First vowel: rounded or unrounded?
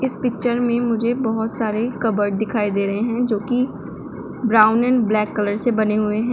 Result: unrounded